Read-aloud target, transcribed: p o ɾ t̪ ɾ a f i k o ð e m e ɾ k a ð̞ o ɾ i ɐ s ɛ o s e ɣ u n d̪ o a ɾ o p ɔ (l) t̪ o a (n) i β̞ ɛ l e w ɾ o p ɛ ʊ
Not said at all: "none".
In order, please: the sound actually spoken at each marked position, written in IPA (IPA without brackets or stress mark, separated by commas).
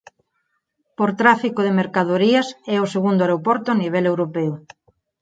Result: ɾ, n